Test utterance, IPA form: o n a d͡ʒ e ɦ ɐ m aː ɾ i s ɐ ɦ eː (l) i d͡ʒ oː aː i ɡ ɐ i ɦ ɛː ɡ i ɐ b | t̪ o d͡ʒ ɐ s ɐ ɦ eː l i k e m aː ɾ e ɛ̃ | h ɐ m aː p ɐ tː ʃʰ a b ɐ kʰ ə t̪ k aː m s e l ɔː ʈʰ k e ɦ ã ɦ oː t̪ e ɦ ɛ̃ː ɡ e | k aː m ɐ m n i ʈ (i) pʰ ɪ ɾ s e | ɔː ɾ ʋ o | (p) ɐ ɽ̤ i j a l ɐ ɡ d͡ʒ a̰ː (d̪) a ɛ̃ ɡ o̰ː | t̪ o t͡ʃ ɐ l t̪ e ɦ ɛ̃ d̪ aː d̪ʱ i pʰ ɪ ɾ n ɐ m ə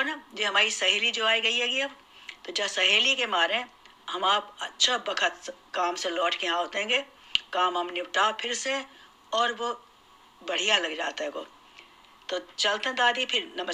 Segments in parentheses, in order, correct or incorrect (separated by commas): correct, incorrect, incorrect, incorrect